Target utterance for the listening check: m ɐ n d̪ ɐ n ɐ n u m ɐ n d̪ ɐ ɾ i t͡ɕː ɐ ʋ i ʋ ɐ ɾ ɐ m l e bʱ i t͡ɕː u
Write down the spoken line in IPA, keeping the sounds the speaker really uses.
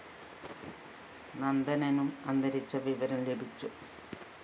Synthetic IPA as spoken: n ɐ n d̪ ɐ n ɐ n u m ɐ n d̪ ɐ ɾ i t͡ɕː ɐ ʋ i ʋ ɐ ɾ ɐ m l e bʱ i t͡ɕː u